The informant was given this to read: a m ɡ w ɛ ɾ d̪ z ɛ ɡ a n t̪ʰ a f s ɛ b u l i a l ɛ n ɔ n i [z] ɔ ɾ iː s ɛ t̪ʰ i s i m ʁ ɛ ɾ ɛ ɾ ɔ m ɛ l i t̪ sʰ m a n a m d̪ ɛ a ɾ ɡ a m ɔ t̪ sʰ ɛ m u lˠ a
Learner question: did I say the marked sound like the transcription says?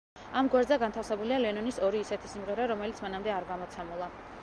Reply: no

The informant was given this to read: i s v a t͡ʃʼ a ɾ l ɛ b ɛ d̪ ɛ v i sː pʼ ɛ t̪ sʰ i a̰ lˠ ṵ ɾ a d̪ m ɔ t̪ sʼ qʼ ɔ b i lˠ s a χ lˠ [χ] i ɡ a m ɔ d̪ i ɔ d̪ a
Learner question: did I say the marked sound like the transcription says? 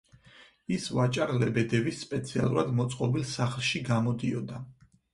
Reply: no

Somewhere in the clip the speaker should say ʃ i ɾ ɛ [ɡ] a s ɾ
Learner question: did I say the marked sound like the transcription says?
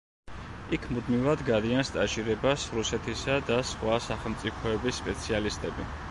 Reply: no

